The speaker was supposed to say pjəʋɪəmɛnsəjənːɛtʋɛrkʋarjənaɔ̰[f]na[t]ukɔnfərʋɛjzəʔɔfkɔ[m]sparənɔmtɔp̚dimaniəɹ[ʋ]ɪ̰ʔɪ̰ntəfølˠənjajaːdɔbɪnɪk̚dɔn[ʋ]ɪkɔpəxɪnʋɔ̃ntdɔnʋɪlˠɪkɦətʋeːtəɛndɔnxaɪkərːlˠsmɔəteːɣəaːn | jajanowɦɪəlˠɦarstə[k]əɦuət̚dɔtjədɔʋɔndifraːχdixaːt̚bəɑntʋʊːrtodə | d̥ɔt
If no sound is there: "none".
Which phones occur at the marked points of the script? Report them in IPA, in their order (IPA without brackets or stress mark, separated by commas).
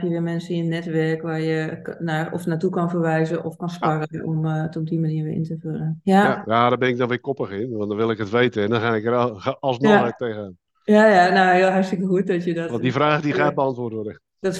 f, t, n, ʋ, ʋ, k